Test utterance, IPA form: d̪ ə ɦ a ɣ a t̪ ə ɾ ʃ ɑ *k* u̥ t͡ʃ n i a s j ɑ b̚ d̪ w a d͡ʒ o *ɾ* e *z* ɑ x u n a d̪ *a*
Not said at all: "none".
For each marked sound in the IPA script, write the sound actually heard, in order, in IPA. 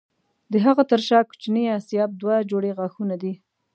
k, ɽ, ɣ, i

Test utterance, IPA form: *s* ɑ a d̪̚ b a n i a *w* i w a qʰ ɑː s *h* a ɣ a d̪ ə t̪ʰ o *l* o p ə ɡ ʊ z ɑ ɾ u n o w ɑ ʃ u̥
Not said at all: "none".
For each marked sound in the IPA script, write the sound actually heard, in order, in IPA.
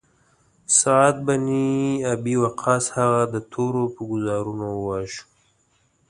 s, b, h, ɾ

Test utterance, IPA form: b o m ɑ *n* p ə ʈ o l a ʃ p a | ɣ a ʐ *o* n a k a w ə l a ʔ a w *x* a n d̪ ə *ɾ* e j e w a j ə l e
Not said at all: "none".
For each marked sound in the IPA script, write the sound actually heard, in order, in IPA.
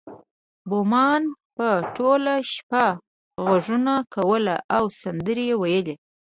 n, u, s, ɾ

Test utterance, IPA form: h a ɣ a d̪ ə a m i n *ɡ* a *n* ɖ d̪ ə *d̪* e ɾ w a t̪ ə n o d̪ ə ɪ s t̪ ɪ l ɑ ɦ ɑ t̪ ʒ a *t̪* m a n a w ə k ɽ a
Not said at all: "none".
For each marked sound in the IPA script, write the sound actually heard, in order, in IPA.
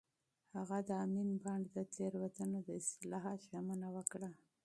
b, ɳ, t̪, none

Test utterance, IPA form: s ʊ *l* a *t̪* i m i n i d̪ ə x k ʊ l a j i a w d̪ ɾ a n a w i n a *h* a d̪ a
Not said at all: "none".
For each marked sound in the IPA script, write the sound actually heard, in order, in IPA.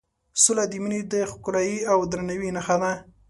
l, d̪, x

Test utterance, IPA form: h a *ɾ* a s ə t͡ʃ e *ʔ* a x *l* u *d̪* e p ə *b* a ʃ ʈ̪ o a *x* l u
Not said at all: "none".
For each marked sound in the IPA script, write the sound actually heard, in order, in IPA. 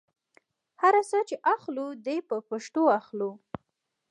ɾ, ʔ, l, d̪, p, x

